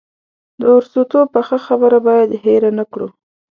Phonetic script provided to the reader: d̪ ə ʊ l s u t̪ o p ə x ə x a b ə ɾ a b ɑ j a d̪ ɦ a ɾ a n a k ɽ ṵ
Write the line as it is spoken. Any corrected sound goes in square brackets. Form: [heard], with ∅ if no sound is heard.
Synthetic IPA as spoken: d̪ ə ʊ [ɾ] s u t̪ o p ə x ə x a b ə ɾ a b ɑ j a d̪ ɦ [e] ɾ a n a k ɽ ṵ